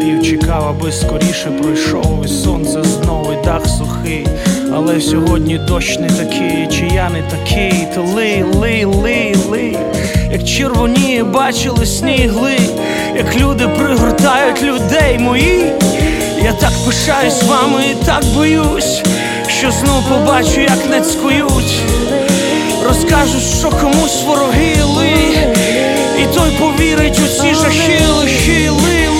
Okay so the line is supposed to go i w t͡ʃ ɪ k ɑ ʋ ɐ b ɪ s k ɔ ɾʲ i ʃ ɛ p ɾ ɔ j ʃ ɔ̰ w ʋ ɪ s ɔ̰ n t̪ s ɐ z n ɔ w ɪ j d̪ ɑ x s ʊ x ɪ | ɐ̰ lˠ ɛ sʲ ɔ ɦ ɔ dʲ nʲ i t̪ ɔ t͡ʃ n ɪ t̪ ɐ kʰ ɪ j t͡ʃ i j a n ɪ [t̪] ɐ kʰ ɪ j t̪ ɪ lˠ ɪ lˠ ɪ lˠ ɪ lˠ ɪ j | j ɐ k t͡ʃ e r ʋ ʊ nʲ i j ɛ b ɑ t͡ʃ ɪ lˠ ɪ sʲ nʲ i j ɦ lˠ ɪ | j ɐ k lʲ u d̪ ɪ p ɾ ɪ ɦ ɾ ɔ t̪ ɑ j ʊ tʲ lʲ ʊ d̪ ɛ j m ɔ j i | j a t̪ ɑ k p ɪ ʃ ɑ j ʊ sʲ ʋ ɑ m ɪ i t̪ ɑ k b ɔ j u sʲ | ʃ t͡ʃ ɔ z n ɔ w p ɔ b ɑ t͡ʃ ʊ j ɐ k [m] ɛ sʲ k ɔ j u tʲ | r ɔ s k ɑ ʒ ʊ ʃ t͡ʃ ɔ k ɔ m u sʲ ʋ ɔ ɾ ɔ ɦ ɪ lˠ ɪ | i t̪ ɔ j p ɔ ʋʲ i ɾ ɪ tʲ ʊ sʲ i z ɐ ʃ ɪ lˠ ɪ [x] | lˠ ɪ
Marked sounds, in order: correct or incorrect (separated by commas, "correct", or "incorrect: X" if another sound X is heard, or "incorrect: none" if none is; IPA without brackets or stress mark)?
correct, incorrect: n, incorrect: ʃ